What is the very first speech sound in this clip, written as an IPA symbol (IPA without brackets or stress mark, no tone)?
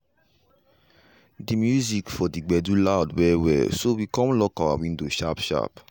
d